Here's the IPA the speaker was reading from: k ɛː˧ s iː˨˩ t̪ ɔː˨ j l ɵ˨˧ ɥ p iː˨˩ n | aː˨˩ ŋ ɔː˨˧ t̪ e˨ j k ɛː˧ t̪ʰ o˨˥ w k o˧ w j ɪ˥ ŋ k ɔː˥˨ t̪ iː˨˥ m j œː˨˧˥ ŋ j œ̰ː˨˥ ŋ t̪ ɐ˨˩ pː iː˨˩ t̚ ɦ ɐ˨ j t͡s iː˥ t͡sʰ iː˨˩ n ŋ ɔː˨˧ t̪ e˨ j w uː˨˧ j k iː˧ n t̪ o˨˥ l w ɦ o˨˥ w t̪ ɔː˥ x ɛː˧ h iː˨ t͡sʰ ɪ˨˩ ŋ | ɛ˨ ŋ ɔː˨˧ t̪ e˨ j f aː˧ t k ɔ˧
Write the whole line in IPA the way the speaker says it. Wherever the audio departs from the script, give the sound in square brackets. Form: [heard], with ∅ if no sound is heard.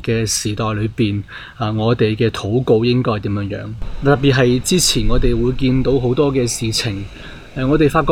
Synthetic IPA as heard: k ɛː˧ s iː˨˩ t̪ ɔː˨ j l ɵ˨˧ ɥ p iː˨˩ n | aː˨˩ ŋ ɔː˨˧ t̪ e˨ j k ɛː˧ t̪ʰ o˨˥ w k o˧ w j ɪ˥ ŋ k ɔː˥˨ t̪ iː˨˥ m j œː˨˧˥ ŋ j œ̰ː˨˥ ŋ t̪ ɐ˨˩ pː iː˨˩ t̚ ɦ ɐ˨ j t͡s iː˥ t͡sʰ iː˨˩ n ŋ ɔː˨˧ t̪ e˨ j w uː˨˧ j k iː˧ n t̪ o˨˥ [∅] w ɦ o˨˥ w t̪ ɔː˥ [k] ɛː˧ [s] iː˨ t͡sʰ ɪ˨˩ ŋ | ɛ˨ ŋ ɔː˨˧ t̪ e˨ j f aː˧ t k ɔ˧